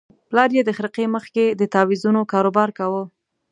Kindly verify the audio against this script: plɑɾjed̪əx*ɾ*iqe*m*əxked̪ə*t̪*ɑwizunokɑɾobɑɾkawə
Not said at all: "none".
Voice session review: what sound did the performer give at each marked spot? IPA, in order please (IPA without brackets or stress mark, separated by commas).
ɾ, m, t̪